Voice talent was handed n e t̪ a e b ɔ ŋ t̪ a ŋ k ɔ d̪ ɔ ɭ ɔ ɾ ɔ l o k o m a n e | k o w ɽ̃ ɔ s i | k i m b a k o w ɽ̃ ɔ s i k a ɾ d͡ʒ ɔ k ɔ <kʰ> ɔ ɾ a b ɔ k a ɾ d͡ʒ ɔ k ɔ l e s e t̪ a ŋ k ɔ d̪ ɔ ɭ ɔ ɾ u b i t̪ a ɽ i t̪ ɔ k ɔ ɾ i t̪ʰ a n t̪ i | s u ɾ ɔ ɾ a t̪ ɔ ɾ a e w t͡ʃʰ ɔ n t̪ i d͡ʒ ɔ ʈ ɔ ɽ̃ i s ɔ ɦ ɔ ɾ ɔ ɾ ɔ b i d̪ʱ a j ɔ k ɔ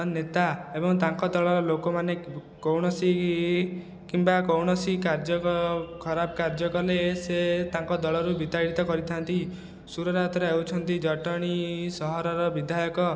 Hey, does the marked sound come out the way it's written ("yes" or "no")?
yes